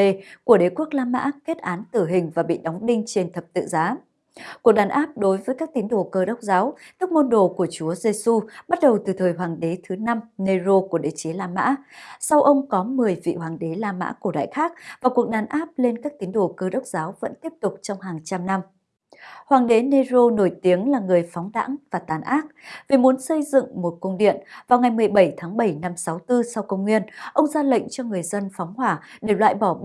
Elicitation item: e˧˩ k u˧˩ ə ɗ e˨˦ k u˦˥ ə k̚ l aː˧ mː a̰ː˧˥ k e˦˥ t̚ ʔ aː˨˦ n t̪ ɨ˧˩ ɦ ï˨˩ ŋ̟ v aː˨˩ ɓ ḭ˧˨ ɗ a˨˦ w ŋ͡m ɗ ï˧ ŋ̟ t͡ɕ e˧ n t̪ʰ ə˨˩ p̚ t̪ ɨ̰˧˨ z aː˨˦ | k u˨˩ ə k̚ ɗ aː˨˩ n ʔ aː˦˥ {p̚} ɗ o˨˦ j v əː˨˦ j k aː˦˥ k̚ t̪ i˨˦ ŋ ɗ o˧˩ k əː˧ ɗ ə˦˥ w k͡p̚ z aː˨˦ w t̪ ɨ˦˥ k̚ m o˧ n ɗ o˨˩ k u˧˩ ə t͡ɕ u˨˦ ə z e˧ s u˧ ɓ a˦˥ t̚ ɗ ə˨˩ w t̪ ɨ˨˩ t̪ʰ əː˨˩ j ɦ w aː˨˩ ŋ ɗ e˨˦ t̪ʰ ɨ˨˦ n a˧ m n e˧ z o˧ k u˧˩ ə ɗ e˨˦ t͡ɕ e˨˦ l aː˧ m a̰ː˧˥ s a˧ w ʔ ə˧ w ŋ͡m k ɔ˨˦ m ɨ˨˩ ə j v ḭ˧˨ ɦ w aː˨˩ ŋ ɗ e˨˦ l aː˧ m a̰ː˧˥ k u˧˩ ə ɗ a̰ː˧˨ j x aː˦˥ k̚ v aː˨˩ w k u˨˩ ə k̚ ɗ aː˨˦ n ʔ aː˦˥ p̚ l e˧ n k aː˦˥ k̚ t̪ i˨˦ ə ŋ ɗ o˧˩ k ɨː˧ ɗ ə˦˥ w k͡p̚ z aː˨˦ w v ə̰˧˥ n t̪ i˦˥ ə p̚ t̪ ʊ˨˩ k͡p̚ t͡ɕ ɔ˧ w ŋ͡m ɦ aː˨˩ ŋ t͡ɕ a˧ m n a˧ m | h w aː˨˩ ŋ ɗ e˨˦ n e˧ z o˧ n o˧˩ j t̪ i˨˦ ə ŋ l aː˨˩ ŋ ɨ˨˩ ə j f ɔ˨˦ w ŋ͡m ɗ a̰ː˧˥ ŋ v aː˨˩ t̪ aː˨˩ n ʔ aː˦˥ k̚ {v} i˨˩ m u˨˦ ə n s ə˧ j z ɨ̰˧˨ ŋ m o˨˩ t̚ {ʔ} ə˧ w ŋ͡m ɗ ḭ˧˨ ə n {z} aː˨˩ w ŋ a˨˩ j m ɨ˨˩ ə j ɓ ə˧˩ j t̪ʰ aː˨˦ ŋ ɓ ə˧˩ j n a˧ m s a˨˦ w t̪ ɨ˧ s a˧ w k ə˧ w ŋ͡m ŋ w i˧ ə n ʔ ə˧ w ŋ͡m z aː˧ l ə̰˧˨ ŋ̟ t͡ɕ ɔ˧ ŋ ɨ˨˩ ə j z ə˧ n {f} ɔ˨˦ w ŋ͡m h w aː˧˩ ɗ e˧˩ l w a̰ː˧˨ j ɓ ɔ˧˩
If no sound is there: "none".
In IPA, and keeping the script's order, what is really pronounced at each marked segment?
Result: p̚, v, k, v, f

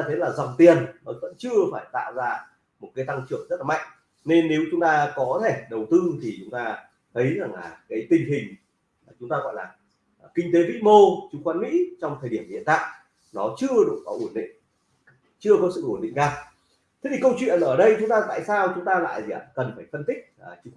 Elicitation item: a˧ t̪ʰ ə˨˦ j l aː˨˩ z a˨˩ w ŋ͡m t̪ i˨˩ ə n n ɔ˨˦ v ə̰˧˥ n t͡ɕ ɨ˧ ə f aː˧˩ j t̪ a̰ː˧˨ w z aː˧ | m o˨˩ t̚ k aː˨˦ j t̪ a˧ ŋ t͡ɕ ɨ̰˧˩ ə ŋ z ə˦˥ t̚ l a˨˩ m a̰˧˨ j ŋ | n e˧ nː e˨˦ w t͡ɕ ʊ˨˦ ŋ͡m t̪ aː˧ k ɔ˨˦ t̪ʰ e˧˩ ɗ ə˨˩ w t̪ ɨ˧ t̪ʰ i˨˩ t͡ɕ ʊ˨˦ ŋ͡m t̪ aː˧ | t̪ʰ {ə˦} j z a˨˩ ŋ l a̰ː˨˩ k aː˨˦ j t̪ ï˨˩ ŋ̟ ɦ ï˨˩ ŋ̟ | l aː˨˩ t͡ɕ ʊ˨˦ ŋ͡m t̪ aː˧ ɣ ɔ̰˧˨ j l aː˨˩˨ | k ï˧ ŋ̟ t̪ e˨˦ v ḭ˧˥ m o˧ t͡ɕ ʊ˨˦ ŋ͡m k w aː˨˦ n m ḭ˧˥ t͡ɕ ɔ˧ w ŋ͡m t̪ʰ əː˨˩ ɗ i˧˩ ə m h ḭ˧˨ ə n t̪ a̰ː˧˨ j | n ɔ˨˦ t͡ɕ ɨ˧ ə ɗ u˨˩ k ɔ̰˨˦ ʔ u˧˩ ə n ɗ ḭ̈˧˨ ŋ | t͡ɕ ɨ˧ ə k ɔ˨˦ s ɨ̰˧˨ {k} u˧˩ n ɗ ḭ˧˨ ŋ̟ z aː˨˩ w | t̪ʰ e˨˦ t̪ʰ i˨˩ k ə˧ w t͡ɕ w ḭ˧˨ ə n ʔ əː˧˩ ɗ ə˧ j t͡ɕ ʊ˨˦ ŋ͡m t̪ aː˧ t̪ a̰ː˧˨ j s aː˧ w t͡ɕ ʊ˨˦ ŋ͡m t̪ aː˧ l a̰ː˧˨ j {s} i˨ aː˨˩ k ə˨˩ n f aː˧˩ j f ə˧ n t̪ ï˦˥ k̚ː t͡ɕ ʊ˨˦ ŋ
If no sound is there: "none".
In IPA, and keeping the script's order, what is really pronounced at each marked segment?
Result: ə˨˦, ʔ, z

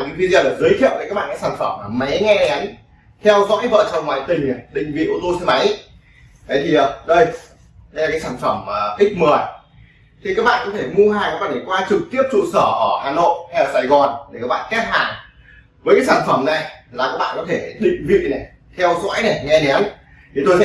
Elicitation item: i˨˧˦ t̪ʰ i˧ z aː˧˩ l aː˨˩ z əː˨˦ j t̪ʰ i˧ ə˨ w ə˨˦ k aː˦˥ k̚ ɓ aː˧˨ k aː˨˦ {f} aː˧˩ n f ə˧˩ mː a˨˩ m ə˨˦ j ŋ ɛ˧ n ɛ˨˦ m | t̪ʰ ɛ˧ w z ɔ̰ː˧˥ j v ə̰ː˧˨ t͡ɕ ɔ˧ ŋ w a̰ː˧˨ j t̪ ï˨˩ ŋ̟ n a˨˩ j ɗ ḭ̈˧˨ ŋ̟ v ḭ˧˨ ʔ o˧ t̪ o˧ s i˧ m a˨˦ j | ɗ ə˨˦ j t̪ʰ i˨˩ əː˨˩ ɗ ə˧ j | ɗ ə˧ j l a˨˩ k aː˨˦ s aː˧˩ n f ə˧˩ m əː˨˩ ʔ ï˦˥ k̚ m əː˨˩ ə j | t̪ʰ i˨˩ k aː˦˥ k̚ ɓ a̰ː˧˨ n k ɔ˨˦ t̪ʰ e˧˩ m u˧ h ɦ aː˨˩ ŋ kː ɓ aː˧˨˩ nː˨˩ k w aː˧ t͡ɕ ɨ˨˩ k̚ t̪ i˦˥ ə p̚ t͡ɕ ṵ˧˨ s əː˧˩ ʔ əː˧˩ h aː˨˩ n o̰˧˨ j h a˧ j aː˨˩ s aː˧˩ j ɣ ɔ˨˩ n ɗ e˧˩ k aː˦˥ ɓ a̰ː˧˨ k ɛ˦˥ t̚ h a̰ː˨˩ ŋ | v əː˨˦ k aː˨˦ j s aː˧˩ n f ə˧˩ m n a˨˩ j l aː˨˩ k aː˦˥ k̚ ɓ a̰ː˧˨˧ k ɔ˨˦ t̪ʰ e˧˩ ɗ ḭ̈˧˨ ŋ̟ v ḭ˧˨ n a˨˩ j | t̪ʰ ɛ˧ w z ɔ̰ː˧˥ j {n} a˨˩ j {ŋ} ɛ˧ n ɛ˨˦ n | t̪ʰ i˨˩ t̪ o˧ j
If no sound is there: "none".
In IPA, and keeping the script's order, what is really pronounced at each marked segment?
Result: s, n, ŋ

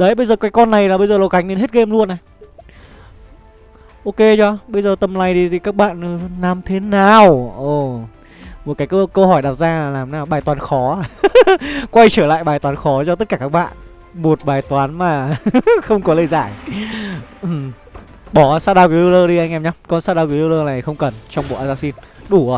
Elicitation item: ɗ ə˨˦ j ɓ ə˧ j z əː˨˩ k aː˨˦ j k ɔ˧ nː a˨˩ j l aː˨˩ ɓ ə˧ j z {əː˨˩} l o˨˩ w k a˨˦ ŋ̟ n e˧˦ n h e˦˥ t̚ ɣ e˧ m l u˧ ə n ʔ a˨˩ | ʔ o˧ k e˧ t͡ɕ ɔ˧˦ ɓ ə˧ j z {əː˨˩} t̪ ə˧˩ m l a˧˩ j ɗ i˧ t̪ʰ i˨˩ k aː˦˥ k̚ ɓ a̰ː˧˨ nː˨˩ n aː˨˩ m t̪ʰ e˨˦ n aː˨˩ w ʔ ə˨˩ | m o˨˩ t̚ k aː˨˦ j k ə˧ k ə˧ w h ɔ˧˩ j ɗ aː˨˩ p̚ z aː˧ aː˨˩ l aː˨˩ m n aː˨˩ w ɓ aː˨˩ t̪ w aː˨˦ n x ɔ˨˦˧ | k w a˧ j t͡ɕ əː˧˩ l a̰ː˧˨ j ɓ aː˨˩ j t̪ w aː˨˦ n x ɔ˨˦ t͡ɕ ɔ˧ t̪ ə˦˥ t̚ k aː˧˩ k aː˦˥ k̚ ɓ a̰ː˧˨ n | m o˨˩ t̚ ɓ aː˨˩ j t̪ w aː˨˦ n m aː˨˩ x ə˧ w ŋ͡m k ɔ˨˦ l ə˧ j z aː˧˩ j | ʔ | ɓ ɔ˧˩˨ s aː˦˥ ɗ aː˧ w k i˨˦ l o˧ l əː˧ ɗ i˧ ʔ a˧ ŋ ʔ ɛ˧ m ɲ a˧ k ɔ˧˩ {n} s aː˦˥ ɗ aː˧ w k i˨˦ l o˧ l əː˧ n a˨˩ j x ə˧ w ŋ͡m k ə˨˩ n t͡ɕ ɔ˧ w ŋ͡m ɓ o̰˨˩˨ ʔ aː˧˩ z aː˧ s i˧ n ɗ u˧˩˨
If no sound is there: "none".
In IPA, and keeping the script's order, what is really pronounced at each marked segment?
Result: əː˨˩, əː˨˩, n

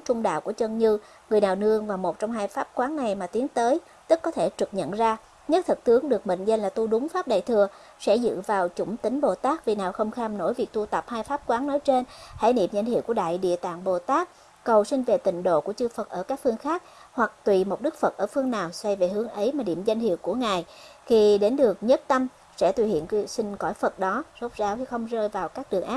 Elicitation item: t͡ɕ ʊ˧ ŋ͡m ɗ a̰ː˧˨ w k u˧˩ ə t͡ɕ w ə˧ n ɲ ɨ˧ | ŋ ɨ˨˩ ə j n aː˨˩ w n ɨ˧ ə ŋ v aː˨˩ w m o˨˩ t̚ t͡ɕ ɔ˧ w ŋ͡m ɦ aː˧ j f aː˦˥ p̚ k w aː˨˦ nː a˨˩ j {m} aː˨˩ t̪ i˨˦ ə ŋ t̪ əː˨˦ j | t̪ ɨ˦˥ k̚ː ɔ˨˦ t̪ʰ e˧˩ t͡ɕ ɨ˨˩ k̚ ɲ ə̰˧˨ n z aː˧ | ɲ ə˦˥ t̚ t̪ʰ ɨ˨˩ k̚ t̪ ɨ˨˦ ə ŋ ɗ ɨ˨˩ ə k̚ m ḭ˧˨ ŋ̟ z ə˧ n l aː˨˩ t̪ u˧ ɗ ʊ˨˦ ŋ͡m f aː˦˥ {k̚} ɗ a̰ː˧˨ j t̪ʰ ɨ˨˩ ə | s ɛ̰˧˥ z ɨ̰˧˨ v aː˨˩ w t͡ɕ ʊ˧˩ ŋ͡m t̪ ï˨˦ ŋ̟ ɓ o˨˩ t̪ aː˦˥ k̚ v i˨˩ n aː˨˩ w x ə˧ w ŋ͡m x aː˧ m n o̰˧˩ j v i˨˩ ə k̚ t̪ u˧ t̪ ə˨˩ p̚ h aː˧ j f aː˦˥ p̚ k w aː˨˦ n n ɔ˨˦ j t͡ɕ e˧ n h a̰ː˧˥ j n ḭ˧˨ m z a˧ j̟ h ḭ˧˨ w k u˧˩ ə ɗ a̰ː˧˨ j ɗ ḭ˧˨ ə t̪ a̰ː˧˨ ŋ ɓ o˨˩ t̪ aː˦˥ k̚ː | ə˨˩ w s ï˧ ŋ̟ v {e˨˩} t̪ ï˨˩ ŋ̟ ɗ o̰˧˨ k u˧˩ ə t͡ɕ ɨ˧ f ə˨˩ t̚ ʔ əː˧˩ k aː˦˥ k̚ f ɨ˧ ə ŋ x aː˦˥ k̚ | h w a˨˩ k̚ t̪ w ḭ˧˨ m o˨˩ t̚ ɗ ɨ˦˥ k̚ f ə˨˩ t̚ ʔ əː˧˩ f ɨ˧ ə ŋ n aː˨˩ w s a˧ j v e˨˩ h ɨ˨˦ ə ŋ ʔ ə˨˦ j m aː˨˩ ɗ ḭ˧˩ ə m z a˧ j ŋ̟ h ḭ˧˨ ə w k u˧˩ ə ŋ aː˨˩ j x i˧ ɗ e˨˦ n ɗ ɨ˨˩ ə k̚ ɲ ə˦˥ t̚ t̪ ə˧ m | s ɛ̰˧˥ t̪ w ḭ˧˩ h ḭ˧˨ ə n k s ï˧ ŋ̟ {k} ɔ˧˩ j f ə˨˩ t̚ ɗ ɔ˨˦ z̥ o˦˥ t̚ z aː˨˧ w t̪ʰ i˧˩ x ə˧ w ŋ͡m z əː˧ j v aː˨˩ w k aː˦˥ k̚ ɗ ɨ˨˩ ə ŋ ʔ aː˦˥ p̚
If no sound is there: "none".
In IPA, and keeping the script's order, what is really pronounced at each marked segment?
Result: m, p̚, e˨˩, k

